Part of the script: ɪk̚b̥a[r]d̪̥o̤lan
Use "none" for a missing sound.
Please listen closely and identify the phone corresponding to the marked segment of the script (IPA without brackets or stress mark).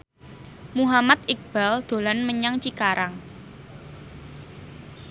l